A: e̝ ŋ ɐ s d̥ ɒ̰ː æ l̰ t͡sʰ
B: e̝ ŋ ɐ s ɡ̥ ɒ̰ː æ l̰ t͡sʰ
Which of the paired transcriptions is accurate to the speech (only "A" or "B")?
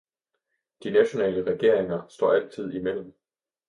A